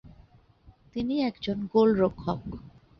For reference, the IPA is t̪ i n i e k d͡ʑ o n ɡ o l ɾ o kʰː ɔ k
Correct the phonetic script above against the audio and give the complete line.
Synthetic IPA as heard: t̪ i n i ɛ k d͡ʑ o n ɡ o l ɾ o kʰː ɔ k